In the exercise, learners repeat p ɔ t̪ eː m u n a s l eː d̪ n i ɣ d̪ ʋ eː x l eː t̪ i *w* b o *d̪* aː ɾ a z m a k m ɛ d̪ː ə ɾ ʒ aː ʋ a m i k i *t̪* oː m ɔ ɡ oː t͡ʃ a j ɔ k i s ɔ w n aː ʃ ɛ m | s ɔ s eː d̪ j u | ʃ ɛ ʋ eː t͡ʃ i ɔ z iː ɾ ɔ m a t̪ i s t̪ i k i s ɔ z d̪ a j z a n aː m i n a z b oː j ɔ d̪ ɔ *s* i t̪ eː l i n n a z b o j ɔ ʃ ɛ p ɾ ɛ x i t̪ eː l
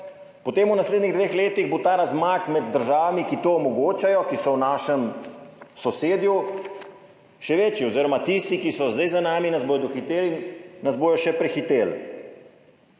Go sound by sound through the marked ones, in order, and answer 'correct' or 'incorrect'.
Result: incorrect: ɣ, incorrect: t̪, correct, incorrect: x

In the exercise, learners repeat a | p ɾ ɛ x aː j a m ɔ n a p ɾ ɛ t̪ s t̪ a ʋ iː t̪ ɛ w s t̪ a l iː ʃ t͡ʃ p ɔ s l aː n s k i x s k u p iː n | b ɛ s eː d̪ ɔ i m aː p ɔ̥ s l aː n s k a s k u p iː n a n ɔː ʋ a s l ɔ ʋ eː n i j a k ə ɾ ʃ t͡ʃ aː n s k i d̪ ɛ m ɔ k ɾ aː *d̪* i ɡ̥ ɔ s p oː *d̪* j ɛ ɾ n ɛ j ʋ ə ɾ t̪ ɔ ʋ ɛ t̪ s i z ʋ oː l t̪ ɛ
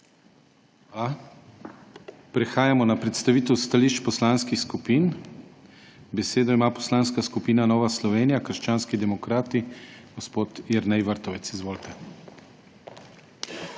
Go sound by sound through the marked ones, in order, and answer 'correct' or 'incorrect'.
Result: incorrect: t̪, incorrect: t̪

